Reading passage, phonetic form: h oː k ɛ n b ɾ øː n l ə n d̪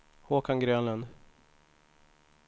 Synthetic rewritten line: h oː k a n ɡ ɾ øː n l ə n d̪